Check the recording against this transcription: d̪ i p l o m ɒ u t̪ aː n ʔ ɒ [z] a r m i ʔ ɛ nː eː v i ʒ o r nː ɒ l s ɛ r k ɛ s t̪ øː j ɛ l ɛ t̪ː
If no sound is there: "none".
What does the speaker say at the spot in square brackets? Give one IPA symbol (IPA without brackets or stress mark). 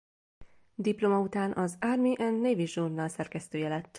z